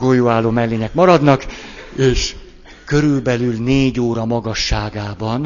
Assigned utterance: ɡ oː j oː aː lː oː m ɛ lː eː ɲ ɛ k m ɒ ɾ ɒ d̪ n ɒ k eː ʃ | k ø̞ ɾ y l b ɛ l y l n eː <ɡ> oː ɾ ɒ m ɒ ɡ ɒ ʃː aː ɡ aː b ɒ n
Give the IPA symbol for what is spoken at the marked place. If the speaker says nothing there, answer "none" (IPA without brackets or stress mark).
ɟ